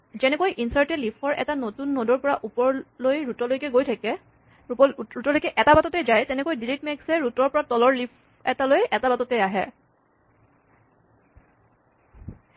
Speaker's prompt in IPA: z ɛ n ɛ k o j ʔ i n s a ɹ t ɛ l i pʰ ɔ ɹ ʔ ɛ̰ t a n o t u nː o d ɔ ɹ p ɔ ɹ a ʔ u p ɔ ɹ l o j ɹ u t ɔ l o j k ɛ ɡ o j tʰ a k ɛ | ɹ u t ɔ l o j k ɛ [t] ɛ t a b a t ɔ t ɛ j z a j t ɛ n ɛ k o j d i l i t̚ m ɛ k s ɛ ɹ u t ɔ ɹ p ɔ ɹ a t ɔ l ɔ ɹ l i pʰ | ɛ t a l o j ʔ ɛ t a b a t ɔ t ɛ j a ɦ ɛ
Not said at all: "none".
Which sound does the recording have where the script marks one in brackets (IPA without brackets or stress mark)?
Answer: ʔ